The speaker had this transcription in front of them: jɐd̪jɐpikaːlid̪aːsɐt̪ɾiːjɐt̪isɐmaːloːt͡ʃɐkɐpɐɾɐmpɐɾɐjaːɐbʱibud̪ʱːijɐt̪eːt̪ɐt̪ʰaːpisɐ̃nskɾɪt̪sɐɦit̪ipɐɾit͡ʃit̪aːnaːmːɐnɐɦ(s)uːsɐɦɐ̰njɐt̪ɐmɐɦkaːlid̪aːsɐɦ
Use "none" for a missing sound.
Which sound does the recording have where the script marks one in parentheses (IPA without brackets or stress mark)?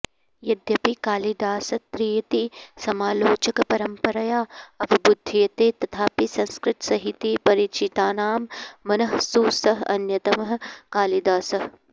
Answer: s